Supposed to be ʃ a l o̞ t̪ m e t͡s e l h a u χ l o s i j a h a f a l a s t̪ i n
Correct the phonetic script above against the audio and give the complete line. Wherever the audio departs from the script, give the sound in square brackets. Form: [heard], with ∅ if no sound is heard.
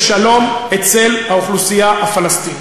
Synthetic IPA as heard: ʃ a l o̞ [∅] m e t͡s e l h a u χ l [u] s i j a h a f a l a s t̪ i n